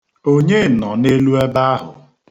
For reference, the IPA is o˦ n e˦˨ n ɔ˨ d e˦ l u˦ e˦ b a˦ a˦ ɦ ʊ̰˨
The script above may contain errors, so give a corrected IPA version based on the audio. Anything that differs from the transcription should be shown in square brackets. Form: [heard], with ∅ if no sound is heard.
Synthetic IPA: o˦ [ɲ] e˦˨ n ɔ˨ [n] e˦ l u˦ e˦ b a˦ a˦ ɦ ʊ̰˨

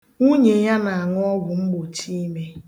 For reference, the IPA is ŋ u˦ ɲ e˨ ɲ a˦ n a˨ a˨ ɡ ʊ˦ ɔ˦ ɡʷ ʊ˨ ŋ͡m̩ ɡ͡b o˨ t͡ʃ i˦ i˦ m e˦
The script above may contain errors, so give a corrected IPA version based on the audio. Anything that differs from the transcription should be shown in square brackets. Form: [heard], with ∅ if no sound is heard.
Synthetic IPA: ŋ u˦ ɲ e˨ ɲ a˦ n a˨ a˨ [ŋ] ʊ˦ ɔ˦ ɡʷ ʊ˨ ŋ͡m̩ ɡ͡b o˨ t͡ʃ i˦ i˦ m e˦

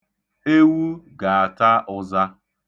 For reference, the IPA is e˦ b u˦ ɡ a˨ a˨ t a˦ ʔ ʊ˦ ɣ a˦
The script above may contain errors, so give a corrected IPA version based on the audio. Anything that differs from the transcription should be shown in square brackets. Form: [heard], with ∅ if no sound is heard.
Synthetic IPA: e˦ [w] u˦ ɡ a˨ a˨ t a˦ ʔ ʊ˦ [z] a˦

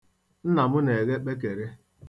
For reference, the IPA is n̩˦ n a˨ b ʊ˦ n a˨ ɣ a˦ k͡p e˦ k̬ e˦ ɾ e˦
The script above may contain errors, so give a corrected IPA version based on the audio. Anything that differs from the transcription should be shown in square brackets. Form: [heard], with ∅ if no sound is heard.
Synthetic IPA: n̩˦ n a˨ [m] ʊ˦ n [e˨] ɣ [e˦] k͡p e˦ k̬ [e˨] ɾ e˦

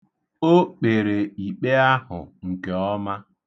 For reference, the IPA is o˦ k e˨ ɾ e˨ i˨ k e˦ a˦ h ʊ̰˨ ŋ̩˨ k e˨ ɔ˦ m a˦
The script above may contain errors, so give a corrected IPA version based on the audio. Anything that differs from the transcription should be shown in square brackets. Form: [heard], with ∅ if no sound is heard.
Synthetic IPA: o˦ [k͡p] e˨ ɾ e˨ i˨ [k͡p] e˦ a˦ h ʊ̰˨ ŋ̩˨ k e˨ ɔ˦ m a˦

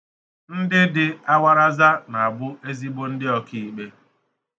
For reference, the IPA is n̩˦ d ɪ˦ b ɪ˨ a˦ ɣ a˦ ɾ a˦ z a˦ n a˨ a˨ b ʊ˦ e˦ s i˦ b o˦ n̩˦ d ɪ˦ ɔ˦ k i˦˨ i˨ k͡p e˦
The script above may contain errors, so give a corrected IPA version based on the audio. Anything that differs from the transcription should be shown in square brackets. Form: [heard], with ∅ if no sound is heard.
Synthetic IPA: n̩˦ d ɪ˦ [d] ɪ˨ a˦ [w] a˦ ɾ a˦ z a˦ n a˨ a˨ b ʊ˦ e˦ [z] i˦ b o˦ n̩˦ d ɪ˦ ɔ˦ k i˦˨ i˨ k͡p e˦

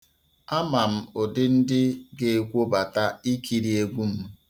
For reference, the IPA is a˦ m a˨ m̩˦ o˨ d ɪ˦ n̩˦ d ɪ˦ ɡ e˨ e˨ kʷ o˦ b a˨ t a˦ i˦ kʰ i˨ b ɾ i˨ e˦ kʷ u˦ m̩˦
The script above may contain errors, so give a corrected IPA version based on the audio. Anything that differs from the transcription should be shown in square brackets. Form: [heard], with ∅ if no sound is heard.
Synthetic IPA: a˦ m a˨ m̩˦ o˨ d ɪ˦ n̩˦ d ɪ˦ ɡ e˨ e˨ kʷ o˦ b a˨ t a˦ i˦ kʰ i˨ [∅] ɾ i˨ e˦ [ɡʷ] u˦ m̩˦

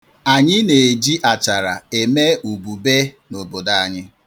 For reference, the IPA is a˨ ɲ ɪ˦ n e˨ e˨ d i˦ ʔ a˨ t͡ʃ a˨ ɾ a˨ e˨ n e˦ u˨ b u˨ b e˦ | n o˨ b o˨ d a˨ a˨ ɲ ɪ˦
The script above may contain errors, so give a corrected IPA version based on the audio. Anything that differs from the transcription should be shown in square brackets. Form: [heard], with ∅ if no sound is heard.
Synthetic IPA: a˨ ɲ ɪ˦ n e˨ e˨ [d͡ʒ] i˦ ʔ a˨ t͡ʃ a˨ ɾ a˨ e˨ [m] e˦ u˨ b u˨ b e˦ | n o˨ b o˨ d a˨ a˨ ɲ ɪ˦

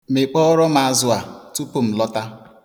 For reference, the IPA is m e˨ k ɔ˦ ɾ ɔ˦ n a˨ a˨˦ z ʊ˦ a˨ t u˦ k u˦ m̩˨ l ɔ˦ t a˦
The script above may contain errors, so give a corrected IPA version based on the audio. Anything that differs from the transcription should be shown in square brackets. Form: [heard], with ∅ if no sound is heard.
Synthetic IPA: m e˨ [k͡p] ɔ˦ ɾ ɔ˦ [m] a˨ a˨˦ z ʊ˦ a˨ t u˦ [p] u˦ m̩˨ l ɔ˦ t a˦

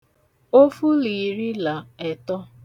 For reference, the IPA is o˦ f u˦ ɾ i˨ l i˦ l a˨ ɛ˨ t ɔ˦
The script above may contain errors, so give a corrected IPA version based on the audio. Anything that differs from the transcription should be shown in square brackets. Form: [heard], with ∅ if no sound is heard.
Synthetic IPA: o˦ f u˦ [l] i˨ [ɾ] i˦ l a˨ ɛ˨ t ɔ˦

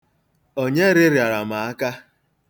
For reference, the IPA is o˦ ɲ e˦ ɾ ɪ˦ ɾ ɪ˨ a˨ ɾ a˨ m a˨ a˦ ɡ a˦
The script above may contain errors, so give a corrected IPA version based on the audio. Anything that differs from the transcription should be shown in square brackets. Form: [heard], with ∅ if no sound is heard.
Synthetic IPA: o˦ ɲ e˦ ɾ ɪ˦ ɾ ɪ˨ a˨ ɾ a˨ m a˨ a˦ [k] a˦

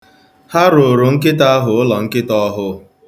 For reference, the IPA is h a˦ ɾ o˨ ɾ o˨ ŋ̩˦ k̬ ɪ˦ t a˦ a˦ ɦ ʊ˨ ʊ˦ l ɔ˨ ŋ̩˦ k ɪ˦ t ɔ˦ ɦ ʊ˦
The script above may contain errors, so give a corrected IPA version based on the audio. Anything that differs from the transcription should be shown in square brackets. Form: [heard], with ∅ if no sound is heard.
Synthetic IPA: h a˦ ɾ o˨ ɾ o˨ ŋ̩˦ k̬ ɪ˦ t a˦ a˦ ɦ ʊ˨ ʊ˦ l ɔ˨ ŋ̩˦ k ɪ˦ t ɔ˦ ɦ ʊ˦

